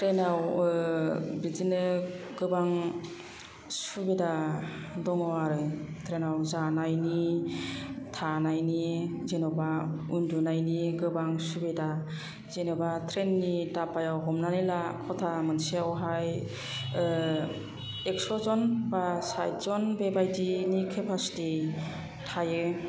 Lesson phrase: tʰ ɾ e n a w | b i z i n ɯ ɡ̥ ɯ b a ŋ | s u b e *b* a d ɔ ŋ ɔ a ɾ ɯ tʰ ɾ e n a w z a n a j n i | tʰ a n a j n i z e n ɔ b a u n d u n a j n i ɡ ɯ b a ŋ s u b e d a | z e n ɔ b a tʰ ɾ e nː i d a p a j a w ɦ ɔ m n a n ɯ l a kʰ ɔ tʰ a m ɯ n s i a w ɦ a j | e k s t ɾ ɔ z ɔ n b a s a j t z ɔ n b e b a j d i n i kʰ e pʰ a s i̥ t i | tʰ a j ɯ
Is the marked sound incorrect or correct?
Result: incorrect: d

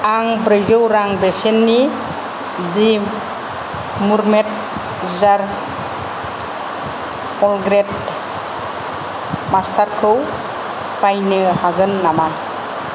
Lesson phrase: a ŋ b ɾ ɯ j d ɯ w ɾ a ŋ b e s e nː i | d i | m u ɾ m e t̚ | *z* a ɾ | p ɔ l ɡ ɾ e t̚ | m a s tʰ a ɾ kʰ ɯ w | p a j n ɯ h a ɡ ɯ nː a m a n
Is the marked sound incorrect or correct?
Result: correct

